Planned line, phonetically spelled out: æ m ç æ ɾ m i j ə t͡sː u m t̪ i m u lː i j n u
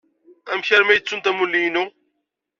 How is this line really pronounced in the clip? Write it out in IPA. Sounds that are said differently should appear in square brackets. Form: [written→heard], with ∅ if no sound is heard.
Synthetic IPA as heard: æ m ç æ ɾ m [i→æ] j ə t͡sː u [m→n] t̪ [i→æ] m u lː i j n u